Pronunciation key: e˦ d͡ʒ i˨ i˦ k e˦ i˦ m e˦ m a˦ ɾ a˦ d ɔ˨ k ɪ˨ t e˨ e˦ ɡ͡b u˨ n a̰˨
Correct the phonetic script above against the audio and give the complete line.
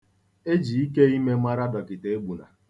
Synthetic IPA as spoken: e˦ d͡ʒ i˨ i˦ k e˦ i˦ m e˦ m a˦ ɾ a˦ d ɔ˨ k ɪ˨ t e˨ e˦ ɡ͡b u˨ n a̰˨